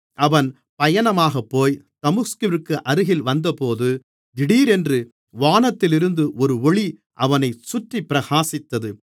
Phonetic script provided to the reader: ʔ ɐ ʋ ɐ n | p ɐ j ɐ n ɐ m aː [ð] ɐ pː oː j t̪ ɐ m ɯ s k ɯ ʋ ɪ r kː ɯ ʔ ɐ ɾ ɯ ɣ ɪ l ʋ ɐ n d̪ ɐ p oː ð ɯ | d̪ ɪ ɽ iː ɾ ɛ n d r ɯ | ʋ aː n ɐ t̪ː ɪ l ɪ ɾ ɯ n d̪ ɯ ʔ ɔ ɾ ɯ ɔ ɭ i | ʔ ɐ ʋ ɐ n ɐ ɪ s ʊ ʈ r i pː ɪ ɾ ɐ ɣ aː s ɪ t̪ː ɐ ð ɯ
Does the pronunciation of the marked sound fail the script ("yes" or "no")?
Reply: yes